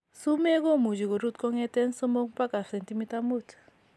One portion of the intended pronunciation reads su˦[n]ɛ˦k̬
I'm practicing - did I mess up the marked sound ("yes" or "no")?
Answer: yes